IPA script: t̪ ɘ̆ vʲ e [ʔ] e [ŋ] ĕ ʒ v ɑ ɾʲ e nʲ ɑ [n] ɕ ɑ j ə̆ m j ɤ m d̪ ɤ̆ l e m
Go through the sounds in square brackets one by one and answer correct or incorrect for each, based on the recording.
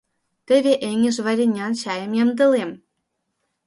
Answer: correct, correct, correct

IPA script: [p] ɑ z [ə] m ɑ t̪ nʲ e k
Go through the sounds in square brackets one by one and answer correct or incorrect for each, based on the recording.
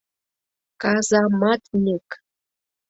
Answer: incorrect: k, incorrect: ɑ

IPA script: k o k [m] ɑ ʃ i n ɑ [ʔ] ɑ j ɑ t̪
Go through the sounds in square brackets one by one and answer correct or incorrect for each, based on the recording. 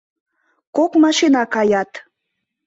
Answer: correct, incorrect: k

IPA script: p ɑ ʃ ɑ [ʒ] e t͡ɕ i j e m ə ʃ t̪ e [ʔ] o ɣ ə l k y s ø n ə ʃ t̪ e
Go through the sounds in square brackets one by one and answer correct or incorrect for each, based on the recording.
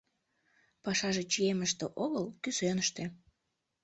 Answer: correct, correct

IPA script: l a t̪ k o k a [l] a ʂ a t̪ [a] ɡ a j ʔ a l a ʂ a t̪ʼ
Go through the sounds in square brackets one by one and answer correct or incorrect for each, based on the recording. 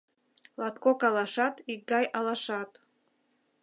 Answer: correct, incorrect: i

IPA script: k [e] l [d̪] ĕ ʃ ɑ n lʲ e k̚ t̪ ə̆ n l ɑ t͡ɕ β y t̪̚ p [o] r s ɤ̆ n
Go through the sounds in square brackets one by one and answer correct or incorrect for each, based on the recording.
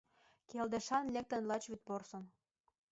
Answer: correct, correct, correct

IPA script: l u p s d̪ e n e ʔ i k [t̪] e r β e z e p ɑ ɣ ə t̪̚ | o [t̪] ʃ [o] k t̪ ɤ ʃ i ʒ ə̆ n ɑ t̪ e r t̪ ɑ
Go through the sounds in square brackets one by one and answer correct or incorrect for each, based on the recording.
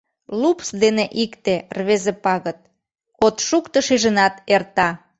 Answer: correct, correct, incorrect: u

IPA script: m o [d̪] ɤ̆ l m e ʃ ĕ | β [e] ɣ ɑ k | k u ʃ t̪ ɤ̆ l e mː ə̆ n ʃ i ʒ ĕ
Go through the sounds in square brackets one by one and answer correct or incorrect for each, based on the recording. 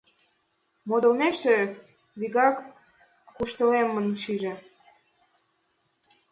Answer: correct, incorrect: i

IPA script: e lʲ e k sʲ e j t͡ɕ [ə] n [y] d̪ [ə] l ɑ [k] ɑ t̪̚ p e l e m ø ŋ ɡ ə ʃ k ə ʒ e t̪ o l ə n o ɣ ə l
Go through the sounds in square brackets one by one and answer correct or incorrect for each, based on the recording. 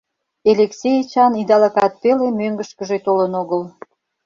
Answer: incorrect: ɑ, incorrect: i, incorrect: ɑ, correct

